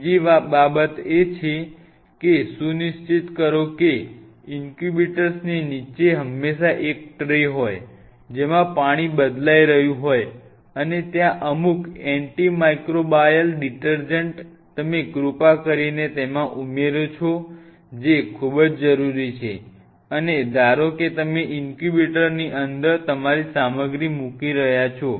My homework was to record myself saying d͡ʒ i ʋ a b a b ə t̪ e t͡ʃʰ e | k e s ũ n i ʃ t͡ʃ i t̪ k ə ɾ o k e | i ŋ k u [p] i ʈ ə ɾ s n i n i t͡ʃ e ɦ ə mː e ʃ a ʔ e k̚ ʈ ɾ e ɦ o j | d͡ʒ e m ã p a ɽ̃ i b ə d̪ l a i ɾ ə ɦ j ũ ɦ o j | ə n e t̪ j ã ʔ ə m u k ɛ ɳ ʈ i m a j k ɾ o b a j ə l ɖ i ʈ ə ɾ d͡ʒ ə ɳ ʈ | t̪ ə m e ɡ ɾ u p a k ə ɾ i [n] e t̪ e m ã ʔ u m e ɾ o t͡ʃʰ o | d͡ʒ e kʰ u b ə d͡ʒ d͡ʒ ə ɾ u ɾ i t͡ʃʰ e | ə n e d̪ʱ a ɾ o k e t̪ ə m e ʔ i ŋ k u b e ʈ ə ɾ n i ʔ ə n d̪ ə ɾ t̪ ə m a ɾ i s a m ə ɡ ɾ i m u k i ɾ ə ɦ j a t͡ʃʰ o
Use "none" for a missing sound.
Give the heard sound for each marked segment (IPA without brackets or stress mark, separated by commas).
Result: b, n